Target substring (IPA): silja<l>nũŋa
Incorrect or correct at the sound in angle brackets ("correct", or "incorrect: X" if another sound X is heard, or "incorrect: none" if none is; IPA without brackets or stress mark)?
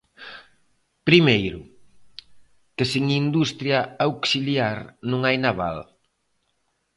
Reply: incorrect: ɾ